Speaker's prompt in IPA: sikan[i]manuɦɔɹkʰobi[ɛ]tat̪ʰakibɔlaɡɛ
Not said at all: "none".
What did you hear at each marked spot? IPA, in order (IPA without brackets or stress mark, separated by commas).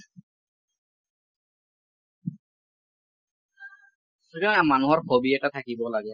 a, ɛ